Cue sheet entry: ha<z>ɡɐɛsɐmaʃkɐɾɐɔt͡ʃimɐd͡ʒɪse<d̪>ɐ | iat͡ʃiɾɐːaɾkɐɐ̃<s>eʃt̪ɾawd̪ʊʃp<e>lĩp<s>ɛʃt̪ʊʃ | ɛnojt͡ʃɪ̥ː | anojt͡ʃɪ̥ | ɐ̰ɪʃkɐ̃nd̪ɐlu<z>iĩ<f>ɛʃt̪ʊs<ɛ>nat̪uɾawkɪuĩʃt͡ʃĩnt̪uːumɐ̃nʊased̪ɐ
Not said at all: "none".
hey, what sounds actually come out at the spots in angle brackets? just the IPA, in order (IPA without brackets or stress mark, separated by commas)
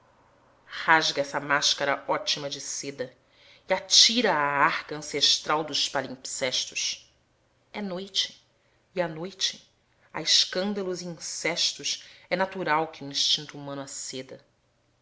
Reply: ʒ, d̪, s, a, s, z, s, ɛ